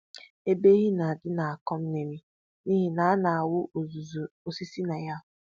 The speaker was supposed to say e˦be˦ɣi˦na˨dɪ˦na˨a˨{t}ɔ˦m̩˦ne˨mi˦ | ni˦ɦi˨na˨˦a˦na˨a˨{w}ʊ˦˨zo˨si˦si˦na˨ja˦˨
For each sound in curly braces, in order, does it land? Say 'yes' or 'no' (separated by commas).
no, yes